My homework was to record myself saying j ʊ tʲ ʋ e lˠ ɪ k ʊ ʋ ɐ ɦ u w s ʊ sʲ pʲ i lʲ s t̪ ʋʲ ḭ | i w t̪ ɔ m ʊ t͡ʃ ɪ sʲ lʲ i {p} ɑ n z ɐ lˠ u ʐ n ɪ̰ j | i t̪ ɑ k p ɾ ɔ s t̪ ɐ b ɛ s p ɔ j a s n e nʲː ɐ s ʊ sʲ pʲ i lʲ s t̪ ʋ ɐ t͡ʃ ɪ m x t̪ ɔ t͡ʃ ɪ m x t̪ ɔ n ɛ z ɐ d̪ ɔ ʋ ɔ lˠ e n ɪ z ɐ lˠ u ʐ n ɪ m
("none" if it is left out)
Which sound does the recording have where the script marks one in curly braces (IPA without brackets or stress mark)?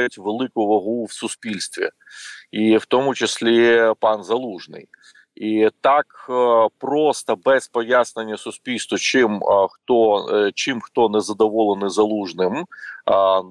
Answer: p